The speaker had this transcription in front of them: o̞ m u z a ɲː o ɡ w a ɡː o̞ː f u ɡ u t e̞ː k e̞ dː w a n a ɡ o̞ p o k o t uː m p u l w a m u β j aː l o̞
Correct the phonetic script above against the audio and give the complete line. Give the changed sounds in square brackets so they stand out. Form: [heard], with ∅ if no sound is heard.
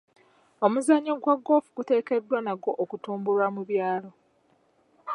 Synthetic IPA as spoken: o̞ m u z a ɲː o ɡ w a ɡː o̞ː f u ɡ u t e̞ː k e̞ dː w a n a ɡ o̞ [ʔ] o k [u] t uː m [b] u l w a m u β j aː l o̞

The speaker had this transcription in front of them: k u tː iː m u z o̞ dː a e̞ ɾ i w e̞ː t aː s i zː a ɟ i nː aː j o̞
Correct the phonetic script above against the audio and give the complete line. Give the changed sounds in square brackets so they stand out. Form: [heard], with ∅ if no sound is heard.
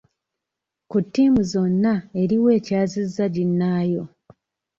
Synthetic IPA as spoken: k u tː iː m u z o̞ [nː] a e̞ ɾ i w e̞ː [c] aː [z] i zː a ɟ i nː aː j o̞

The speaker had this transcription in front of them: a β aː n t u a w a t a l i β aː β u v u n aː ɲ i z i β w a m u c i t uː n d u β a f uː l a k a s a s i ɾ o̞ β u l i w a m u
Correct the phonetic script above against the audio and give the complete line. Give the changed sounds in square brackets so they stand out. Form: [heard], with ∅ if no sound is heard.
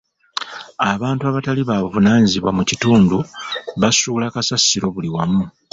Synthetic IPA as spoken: a β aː n t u a [β] a t a l i β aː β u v u n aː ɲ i z i β w a m u c i t uː n d u β a [s] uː l a k a s a s i ɾ o̞ β u l i w a m u

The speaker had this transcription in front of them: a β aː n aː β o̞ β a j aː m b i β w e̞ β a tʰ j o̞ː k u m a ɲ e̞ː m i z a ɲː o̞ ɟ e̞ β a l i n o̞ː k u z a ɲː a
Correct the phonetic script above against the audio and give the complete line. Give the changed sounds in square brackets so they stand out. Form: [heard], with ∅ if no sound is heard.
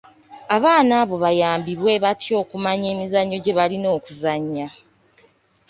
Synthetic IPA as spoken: a β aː n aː β o̞ β a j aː m b i β w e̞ β a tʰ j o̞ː k u m a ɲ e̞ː m i z a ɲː o̞ ɟ e̞ β a l i n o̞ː k u z a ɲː a

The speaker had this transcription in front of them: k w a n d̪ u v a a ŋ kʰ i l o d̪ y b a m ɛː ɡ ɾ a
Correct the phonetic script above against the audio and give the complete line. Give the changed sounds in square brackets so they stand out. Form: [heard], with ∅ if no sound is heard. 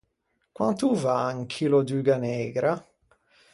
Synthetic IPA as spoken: k w a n [t̪] u v a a ŋ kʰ i l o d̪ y [ɡ] a [n] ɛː ɡ ɾ a

